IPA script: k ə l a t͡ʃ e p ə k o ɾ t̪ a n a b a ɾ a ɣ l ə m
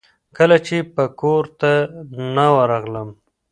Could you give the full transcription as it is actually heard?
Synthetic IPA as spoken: k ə l a t͡ʃ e p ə k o ɾ t̪ a n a w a ɾ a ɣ l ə m